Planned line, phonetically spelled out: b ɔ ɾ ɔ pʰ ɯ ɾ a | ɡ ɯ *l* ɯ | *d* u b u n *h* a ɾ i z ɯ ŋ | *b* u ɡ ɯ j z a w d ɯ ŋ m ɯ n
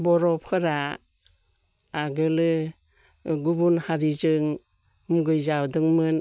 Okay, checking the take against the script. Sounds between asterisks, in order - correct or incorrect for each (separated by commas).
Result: correct, incorrect, correct, incorrect